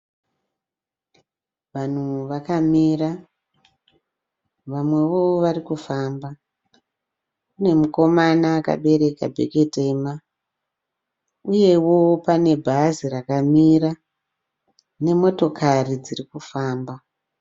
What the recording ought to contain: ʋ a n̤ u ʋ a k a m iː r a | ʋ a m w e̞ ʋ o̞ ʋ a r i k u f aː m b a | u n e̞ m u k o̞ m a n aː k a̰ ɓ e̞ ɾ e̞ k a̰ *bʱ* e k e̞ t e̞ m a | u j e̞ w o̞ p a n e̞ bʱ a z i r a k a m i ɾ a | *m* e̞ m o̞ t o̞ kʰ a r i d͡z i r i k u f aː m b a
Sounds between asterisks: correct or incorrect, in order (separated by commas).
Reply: correct, incorrect